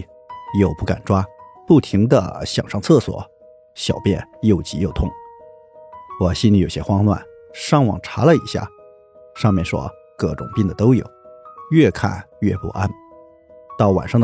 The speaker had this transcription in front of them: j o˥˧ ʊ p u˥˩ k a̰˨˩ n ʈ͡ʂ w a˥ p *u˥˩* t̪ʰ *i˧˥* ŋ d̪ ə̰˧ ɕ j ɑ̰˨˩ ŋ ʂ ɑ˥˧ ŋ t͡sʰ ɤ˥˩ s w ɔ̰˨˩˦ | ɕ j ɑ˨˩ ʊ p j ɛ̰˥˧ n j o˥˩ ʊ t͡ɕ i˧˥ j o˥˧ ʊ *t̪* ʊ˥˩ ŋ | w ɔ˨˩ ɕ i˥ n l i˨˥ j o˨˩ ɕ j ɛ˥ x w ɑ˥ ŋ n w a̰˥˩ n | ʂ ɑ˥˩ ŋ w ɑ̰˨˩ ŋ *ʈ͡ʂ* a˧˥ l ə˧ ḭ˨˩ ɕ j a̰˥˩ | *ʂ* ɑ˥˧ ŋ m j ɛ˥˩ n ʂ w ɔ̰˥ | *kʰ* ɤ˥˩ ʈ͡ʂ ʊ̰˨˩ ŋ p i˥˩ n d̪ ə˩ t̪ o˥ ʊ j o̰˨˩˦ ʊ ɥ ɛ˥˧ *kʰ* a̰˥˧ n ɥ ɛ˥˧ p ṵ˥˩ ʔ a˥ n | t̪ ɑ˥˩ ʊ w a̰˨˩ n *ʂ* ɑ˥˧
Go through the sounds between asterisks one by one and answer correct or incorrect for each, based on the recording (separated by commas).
correct, correct, incorrect, incorrect, correct, incorrect, correct, correct